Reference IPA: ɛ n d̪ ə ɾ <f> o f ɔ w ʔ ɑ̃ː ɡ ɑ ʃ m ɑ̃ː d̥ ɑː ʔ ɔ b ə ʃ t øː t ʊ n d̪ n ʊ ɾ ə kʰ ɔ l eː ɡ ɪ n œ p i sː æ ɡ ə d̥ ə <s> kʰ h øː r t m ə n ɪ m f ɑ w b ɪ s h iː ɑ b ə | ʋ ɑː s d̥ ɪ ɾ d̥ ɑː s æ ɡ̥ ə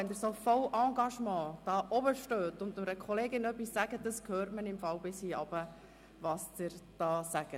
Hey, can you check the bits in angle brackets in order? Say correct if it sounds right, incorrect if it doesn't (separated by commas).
incorrect, correct